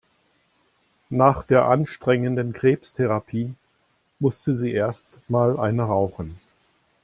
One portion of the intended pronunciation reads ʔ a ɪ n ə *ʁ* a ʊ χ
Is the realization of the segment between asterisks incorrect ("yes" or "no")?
no